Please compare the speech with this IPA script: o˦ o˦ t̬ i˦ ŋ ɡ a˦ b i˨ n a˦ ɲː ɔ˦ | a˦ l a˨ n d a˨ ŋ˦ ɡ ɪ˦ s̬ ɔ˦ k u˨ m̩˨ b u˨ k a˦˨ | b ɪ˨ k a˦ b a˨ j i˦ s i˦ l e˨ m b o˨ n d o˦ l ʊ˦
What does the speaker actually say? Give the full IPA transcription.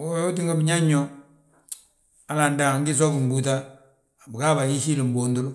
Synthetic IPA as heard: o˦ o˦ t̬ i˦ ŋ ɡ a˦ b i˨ ɲ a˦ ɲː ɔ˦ | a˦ l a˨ n d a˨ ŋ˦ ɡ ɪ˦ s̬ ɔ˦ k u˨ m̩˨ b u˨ t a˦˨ | b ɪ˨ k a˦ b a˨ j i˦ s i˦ l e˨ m b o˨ n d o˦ l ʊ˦